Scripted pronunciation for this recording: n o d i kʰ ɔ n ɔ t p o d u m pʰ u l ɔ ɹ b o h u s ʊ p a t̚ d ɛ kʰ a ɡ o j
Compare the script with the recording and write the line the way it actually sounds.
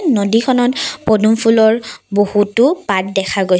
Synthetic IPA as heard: n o d i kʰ ɔ n ɔ t p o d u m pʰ u l ɔ ɹ b o h u t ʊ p a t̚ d ɛ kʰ a ɡ o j